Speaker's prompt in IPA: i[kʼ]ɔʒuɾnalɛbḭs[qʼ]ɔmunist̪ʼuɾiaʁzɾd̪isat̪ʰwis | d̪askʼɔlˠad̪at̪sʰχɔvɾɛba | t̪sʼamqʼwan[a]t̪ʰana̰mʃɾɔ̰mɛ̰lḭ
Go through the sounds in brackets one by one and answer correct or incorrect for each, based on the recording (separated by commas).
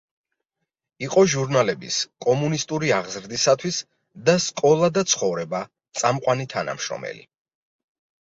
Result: incorrect, incorrect, incorrect